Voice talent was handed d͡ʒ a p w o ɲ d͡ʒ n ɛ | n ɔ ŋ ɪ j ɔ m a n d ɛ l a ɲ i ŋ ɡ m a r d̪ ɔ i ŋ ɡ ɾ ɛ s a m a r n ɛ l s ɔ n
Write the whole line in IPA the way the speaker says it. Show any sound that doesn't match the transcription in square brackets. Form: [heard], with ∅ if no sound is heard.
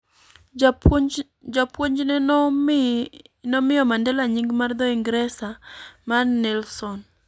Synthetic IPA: d͡ʒ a p w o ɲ d͡ʒ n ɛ | n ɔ [m] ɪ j ɔ m a n d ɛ l a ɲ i ŋ ɡ m a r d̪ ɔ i ŋ ɡ ɾ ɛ s a m a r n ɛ l s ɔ n